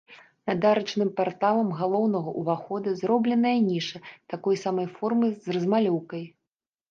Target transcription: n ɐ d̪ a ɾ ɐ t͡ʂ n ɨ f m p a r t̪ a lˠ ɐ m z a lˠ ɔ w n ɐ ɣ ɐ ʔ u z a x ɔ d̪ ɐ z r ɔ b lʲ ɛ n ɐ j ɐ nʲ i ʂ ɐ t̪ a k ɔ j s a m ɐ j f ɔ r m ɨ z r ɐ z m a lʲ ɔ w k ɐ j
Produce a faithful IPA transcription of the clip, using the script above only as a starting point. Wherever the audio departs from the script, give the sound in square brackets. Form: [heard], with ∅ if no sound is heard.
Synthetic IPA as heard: n ɐ d̪ a ɾ ɐ t͡ʂ n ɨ [∅] m p a r t̪ a lˠ ɐ m [ɣ] a lˠ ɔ w n ɐ ɣ ɐ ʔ u [v] a x ɔ d̪ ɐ z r ɔ b lʲ ɛ n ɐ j ɐ nʲ i ʂ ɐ t̪ a k ɔ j s a m ɐ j f ɔ r m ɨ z r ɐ z m a lʲ ɔ w k ɐ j